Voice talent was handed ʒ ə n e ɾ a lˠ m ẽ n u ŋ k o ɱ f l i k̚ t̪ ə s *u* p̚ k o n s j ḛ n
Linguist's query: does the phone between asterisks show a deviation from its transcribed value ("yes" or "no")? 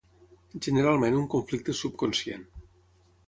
no